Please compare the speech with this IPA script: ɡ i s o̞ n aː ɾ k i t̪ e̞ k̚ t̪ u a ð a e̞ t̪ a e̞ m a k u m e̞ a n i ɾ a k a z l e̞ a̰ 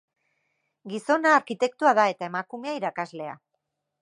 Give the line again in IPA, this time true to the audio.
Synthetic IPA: ɡ i s o̞ n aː ɾ k i t̪ e̞ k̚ t̪ u a ð a e̞ t̪ a e̞ m a k u m e̞ a i ɾ a k a z l e̞ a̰